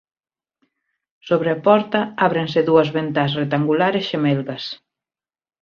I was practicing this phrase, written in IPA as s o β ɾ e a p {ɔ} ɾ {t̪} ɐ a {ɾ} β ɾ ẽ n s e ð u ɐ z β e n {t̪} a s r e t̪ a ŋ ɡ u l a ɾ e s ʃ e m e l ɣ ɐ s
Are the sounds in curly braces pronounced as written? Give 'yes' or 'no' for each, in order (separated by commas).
yes, yes, no, yes